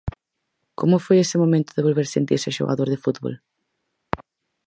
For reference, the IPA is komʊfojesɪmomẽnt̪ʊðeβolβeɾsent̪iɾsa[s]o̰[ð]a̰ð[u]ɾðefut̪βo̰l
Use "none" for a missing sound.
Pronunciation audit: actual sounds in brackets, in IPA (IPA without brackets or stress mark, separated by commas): ʃ, ɣ, o